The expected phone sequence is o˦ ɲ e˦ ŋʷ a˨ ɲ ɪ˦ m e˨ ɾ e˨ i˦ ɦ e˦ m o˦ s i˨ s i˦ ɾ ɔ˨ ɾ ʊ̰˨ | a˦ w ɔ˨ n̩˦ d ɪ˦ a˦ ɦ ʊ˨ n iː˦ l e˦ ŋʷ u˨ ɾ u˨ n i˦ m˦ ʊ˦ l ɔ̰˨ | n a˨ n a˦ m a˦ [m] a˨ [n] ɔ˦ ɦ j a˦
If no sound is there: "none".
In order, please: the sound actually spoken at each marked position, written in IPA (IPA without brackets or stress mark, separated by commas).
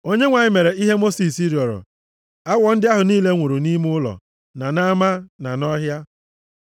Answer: n, n